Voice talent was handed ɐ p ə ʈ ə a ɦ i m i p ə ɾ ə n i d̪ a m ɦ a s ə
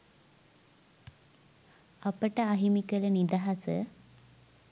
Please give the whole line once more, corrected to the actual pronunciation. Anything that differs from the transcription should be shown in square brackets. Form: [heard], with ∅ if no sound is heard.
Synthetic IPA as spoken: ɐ p ə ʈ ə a ɦ i m i [k] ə [l] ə n i d̪ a [∅] ɦ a s ə